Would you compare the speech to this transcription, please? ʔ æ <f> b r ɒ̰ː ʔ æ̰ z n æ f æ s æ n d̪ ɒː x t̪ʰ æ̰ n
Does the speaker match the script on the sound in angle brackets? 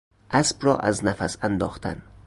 no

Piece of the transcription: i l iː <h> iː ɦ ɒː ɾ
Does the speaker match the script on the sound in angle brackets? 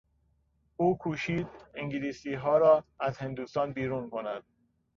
no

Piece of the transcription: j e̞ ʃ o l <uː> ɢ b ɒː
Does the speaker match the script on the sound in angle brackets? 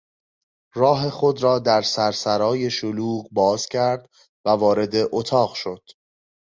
yes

